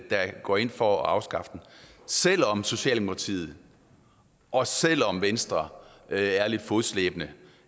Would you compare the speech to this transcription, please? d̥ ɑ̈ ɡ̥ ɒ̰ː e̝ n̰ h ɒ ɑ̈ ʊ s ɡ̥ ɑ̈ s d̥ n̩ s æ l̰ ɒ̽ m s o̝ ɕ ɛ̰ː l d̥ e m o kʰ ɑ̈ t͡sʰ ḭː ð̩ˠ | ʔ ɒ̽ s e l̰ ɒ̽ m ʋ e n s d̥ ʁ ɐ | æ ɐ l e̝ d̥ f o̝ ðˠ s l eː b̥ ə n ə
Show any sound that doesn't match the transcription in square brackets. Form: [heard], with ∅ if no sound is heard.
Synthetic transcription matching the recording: d̥ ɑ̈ ɡ̥ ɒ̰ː e̝ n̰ [f] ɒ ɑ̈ ʊ s ɡ̥ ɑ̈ [f] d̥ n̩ s [e] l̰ ɒ̽ m s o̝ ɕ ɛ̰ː l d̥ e m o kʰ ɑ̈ t͡sʰ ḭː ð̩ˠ | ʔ ɒ̽ s e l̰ ɒ̽ m ʋ e n s d̥ ʁ ɐ | æ ɐ l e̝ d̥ f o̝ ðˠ s l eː b̥ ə n ə

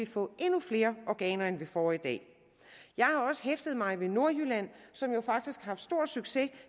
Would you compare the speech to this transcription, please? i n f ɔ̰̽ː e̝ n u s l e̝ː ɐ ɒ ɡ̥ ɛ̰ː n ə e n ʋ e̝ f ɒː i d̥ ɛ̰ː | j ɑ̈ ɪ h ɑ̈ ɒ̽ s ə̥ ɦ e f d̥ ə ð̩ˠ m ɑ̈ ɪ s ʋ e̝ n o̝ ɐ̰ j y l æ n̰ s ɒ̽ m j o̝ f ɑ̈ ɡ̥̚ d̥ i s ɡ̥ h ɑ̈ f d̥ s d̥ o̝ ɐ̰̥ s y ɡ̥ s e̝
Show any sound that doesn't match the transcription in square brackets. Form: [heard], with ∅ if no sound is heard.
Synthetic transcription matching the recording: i [∅] f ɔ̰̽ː e̝ n u [f] l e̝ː ɐ ɒ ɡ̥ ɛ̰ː n [ɐ] e n ʋ e̝ f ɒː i d̥ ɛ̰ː | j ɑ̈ ɪ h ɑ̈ ɒ̽ s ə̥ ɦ e f d̥ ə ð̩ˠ m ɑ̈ ɪ [∅] ʋ e̝ n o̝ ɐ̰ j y l æ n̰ s ɒ̽ m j o̝ f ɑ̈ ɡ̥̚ d̥ i s ɡ̥ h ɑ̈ f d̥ s d̥ o̝ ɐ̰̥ s y ɡ̥ s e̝

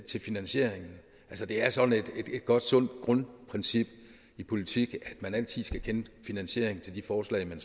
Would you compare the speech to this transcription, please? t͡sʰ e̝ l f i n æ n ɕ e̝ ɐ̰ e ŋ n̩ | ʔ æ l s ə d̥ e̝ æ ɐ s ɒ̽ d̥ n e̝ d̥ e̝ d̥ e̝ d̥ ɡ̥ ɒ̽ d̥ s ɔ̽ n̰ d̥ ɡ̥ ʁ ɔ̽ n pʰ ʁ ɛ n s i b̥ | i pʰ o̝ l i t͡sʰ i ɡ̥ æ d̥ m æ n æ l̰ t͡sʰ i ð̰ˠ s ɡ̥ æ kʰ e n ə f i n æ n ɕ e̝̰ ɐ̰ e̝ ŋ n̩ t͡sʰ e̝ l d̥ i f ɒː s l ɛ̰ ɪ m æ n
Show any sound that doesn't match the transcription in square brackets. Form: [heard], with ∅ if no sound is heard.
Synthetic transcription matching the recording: t͡sʰ e̝ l f i n æ n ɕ e̝ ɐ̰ e ŋ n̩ | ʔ æ l s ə d̥ e̝ æ ɐ s ɒ̽ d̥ n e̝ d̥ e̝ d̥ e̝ d̥ ɡ̥ ɒ̽ d̥ s ɔ̽ n̰ d̥ ɡ̥ ʁ ɔ̽ n pʰ ʁ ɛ n s i b̥ | i pʰ o̝ l i t͡sʰ i ɡ̥ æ d̥ m æ n æ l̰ t͡sʰ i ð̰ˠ s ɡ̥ æ kʰ e n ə f i n æ n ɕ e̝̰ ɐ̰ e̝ ŋ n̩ t͡sʰ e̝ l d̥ i f ɒː s l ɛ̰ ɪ m æ n

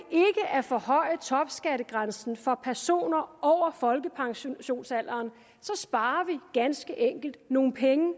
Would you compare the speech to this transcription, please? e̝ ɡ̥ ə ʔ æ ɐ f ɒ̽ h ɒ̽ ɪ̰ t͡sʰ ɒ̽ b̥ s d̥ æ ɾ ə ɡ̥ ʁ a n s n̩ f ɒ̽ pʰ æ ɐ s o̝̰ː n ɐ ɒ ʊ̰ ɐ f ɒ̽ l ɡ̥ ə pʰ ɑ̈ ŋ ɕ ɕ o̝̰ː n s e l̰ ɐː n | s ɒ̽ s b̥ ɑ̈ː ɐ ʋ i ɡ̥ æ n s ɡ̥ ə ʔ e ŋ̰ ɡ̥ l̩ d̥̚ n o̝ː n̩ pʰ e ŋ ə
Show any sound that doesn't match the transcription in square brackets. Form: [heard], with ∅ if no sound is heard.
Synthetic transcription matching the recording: e̝ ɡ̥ ə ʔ æ ɐ f ɒ̽ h ɒ̽ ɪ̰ t͡sʰ ɒ̽ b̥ s [ɡ̥] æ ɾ ə ɡ̥ ʁ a n s n̩ f ɒ̽ pʰ æ ɐ s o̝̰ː n ɐ ɒ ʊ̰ ɐ f ɒ̽ l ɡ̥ ə pʰ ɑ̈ ŋ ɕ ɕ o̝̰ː n s [æ] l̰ ɐː n | s ɒ̽ s b̥ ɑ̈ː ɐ ʋ i ɡ̥ æ n s ɡ̥ ə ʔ e ŋ̰ ɡ̥ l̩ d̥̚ n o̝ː n̩ pʰ e ŋ ə

